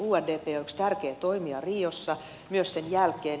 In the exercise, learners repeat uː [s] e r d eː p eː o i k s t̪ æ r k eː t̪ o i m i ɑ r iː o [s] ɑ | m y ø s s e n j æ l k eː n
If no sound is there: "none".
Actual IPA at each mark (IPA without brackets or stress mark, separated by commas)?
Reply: none, sː